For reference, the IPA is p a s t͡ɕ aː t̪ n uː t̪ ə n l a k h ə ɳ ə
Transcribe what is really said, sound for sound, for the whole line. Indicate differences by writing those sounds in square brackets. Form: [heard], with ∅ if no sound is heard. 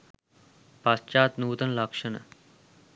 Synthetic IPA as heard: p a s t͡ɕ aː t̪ n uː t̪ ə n l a k [ʂ] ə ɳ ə